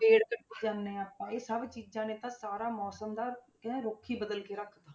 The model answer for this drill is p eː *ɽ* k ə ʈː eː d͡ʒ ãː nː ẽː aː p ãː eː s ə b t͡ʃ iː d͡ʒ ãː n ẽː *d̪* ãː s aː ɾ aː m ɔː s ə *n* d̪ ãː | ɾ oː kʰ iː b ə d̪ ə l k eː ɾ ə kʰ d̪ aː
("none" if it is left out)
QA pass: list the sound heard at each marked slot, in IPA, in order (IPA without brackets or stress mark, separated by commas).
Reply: ɽ, t̪, m